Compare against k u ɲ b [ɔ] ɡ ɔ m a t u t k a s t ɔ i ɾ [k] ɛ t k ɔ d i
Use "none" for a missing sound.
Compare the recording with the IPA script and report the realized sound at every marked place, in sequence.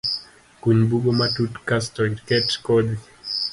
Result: u, k

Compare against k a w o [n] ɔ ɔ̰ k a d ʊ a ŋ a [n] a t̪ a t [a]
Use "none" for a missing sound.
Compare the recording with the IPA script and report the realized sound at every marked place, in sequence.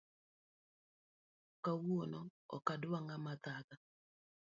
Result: n, m, a

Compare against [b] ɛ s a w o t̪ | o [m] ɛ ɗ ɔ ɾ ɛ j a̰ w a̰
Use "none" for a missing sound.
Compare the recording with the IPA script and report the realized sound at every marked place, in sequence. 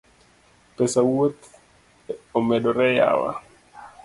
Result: p, m

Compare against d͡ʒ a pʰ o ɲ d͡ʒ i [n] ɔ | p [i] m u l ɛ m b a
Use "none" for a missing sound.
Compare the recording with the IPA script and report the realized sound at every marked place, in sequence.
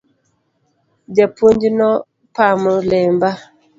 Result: n, a

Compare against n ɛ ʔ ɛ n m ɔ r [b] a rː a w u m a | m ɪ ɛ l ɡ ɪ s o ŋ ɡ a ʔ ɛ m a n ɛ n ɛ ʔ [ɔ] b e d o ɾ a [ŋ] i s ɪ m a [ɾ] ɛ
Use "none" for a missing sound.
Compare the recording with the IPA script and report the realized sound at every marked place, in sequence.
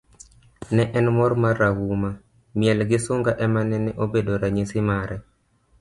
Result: m, o, ɲ, ɾ

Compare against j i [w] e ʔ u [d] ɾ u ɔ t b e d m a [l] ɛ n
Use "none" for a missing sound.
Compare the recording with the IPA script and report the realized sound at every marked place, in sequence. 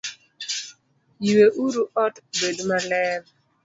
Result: w, none, l

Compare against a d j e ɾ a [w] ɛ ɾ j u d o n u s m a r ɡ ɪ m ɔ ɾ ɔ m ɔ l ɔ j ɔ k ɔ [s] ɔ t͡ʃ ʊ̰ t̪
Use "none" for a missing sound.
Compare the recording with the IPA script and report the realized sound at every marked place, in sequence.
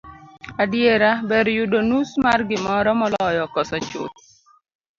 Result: b, s

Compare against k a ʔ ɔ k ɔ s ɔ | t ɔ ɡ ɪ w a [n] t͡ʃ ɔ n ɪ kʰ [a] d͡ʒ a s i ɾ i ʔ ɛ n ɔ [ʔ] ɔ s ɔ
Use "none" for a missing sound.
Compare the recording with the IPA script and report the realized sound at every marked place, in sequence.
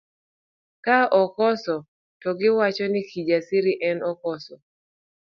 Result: none, i, k

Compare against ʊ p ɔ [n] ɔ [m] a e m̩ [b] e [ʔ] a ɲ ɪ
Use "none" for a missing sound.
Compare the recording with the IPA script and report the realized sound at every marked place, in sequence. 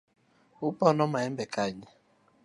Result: n, m, b, k

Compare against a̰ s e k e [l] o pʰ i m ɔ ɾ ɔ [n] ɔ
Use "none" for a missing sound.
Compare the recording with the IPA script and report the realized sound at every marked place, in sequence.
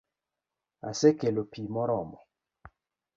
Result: l, m

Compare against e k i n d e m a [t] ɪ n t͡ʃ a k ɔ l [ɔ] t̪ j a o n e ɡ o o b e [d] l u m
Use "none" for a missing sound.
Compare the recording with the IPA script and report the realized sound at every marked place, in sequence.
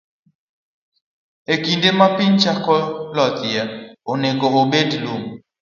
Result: p, ɔ, d

